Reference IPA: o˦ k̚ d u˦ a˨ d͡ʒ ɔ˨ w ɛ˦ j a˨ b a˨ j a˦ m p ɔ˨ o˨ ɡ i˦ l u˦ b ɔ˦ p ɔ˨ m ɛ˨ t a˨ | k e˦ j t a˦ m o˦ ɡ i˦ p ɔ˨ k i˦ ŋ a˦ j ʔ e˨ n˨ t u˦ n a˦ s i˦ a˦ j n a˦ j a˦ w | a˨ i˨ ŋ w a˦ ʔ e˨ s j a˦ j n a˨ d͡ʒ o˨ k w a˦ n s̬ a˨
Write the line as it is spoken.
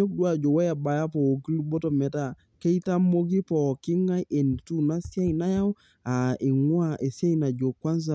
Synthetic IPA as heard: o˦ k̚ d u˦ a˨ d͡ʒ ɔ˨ w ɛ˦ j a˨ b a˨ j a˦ p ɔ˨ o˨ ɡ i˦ l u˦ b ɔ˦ t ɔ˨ m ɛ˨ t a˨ | k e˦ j t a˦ m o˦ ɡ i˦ p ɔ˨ k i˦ ŋ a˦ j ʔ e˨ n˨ t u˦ n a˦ s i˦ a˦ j n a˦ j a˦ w | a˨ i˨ ŋ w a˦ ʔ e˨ s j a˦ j n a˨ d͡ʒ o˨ k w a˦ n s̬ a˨